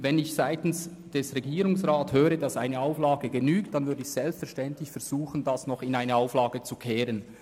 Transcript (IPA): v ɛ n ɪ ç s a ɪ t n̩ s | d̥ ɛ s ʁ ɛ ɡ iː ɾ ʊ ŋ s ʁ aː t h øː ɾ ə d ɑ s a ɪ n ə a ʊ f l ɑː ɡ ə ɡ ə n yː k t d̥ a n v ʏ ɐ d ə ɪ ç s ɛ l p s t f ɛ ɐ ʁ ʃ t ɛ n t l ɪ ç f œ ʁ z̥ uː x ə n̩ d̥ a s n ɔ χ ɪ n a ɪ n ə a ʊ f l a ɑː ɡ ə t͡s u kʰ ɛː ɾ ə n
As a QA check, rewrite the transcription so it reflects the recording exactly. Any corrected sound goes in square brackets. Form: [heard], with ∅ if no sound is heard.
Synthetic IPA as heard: v ɛ n ɪ ç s a ɪ t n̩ s | d̥ ɛ s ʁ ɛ ɡ iː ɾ ʊ ŋ s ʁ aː t h øː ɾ ə d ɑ s a ɪ n ə a ʊ f l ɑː ɡ ə ɡ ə n yː k t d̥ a n v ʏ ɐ d ə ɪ ç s ɛ l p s t f ɛ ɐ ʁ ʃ t ɛ n t l ɪ ç f [ɛ] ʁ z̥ uː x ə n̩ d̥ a s n ɔ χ ɪ n a ɪ n ə a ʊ f l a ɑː ɡ ə t͡s u kʰ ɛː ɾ ə n